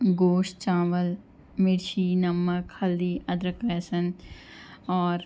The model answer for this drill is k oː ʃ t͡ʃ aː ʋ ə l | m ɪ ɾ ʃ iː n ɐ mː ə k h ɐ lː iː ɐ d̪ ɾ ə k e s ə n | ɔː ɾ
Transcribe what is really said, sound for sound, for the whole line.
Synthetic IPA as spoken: ɡ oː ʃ t͡ʃ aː ʋ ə l | m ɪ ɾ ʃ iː n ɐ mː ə k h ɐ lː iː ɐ d̪ ɾ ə k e s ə n | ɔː ɾ